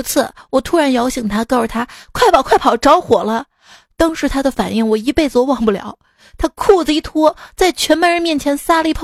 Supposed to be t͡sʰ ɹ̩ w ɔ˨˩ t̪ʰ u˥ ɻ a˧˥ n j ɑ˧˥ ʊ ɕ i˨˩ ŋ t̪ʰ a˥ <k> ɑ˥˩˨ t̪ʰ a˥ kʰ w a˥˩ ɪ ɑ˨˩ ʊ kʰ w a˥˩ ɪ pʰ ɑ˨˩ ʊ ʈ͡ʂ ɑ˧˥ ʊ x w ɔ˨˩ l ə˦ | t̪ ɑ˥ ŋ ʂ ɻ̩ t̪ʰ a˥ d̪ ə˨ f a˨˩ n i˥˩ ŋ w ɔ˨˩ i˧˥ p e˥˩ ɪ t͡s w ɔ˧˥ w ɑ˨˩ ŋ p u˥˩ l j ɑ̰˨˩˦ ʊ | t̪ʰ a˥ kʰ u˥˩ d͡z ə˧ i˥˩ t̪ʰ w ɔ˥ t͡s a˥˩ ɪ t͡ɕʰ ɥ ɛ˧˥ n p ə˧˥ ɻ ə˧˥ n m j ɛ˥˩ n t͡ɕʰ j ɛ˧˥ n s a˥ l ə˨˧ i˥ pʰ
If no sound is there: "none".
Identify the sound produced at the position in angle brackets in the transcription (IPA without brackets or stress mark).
k